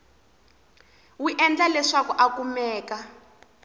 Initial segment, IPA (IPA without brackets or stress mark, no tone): w